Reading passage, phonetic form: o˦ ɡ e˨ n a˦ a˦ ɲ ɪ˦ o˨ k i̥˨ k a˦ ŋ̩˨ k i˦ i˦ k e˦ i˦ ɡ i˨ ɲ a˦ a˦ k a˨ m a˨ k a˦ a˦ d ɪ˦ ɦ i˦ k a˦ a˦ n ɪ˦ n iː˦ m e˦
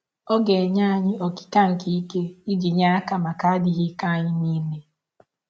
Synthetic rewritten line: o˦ ɡ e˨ ɲ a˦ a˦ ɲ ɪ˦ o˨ k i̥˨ k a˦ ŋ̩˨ k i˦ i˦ k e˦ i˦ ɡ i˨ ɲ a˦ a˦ k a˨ m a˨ k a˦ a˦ d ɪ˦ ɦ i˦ k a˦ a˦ ɲ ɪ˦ n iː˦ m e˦